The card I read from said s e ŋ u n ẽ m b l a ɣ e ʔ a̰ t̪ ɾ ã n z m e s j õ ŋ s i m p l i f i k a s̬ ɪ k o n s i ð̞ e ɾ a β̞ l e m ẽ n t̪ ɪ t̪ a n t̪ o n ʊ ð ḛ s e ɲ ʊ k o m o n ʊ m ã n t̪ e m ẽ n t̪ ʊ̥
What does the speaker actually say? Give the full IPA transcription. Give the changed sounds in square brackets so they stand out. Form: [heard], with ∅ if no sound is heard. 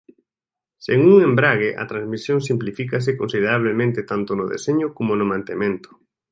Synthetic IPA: s e ŋ u [ŋ] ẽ m b [ɾ] a ɣ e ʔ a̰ t̪ ɾ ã n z m [i] s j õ ŋ s i m p l i f i k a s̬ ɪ k o n s i ð̞ e ɾ a β̞ l e m ẽ n t̪ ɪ t̪ a n t̪ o n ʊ ð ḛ s e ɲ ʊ k o m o n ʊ m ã n t̪ e m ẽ n t̪ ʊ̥